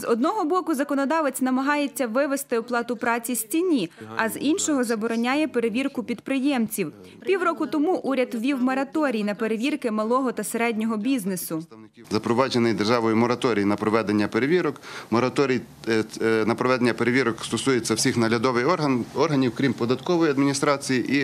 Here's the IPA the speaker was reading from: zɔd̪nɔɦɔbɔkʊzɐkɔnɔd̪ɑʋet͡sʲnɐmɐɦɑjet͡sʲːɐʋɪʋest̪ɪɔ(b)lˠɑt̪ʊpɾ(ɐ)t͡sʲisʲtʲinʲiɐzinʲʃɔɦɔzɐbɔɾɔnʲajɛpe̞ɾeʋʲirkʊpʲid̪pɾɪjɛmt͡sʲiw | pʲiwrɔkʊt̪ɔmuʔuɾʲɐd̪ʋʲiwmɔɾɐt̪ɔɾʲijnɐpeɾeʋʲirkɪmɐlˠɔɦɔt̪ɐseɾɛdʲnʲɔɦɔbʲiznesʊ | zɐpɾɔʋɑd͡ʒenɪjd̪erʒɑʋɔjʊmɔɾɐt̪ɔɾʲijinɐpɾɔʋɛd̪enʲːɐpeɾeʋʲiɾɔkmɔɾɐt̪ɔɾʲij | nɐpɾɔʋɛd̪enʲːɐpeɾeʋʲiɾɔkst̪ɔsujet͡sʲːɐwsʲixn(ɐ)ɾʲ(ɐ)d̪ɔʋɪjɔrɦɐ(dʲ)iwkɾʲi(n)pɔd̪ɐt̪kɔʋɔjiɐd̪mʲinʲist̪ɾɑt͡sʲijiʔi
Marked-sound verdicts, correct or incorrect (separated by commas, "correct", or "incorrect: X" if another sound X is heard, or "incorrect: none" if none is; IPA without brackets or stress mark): incorrect: p, incorrect: ɑ, correct, correct, incorrect: nʲ, incorrect: m